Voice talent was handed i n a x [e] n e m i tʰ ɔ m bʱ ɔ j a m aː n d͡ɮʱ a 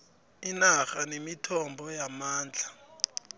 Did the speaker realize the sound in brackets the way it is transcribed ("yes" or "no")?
no